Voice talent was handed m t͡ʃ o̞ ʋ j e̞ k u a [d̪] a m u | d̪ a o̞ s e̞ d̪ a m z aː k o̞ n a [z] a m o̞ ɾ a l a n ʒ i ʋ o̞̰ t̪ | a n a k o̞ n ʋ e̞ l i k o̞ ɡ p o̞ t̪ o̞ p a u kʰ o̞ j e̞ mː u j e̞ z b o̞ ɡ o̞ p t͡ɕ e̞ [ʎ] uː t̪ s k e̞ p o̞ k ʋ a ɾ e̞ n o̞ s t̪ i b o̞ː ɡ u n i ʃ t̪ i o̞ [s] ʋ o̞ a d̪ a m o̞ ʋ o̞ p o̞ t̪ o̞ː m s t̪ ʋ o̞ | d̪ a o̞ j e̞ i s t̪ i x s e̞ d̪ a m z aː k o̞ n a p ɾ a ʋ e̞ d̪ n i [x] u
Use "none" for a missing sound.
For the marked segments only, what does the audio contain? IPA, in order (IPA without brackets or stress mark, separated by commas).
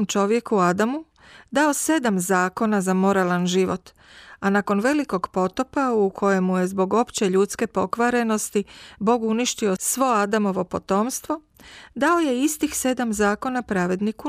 d̪, z, ʎ, s, k